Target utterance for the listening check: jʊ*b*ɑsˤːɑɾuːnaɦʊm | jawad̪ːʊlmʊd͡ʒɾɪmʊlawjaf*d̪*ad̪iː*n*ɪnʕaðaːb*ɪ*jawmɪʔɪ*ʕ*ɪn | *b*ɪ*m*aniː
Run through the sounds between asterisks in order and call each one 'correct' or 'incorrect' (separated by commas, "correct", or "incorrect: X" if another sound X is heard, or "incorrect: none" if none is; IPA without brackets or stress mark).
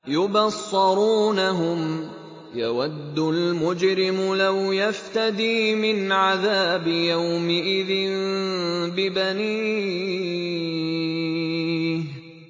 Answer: correct, incorrect: t̪, incorrect: m, correct, incorrect: ð, correct, incorrect: b